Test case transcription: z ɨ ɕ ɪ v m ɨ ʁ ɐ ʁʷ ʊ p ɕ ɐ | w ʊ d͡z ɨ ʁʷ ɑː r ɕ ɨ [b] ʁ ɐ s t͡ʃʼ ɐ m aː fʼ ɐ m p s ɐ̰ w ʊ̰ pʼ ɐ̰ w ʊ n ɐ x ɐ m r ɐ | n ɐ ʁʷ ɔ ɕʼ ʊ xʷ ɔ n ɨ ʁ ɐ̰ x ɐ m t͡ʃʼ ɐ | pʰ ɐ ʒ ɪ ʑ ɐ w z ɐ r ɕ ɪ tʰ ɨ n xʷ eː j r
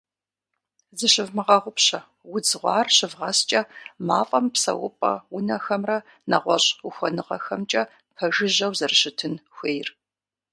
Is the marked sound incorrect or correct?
incorrect